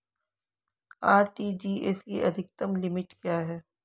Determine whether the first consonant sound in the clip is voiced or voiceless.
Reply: voiced